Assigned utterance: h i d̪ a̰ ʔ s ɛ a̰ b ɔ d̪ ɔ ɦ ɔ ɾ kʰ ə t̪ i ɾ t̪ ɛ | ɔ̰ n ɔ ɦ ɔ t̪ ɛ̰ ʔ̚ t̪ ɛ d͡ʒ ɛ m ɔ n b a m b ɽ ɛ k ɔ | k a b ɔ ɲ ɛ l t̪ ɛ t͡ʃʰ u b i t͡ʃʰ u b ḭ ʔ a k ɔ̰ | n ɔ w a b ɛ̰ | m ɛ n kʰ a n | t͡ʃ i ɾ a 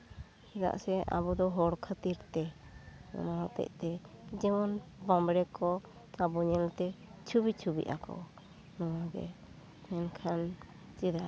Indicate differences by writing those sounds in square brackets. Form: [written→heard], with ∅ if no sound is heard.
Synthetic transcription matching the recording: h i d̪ a̰ ʔ s ɛ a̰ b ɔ d̪ ɔ ɦ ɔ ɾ kʰ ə t̪ i ɾ t̪ ɛ | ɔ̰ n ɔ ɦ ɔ t̪ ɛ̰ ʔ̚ t̪ ɛ d͡ʒ ɛ m ɔ n b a m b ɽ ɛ k ɔ | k a b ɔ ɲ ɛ l t̪ ɛ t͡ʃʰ u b i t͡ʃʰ u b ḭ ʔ a k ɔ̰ | n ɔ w a [b→ɡ] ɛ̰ | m ɛ n kʰ a n | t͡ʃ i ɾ a